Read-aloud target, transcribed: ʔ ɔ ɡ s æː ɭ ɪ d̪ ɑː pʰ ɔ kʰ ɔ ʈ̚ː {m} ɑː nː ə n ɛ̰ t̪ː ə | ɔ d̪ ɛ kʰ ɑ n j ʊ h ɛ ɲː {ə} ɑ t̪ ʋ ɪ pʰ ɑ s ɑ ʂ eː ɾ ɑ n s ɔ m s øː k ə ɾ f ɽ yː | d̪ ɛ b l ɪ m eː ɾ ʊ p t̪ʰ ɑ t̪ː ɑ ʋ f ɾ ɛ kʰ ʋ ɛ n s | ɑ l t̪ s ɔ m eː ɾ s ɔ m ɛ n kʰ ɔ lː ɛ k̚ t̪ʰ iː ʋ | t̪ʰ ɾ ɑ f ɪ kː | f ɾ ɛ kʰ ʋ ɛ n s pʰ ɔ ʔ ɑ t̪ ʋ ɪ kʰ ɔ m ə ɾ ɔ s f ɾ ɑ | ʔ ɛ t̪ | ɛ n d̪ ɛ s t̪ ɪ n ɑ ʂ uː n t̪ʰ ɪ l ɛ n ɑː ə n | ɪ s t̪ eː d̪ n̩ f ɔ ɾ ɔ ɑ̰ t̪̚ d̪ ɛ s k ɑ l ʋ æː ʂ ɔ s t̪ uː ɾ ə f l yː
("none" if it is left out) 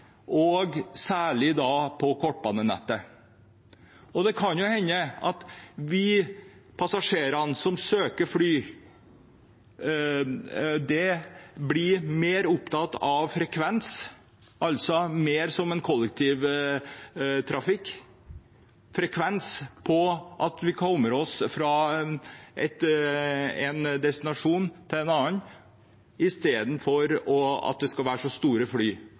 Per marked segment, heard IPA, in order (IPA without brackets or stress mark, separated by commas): b, ə